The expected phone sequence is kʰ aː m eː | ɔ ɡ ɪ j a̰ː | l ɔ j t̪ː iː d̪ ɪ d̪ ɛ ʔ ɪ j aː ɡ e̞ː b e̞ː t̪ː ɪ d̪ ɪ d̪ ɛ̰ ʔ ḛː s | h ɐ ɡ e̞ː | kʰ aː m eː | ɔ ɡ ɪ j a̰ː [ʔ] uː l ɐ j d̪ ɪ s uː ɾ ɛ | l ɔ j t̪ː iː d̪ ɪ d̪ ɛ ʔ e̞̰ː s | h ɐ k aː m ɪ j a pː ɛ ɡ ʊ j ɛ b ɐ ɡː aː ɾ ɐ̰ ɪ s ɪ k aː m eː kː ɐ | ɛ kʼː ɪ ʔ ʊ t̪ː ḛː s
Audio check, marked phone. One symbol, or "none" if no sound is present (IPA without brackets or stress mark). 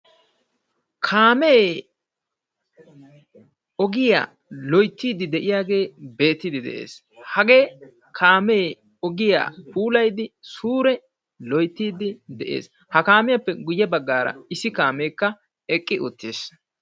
p